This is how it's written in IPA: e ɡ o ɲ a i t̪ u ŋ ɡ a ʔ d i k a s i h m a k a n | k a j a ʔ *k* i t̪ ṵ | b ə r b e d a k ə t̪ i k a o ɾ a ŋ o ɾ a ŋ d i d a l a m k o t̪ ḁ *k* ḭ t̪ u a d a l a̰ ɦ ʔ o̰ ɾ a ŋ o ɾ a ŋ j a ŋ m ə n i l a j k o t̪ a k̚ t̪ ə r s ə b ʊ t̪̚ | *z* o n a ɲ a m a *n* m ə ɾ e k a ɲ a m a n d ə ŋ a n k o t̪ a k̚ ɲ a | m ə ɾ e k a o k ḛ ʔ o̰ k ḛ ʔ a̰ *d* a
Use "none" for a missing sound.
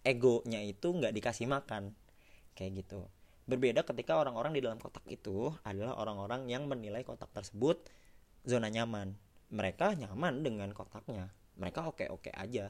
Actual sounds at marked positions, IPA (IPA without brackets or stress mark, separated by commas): ɡ, k, z, n, d͡ʒ